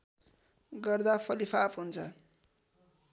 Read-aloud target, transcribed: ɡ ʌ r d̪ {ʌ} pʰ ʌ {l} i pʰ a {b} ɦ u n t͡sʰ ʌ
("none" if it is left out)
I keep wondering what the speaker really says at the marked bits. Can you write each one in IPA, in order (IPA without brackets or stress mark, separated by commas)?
a, l, p